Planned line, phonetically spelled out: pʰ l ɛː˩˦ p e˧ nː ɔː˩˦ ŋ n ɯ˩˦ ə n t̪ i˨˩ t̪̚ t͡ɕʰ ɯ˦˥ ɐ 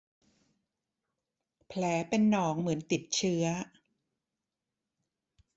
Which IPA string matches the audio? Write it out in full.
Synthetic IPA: pʰ l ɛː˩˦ p e˧ nː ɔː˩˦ ŋ m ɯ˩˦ ə n t̪ i˨˩ t̪̚ t͡ɕʰ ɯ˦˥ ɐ